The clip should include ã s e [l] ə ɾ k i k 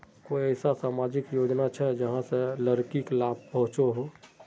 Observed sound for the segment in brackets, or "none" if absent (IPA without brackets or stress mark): l